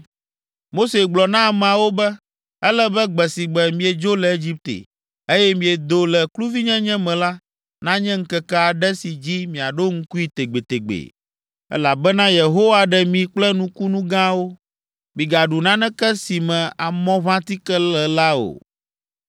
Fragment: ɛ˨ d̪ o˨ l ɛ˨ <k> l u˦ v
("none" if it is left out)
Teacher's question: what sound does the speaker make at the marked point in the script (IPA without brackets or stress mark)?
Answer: k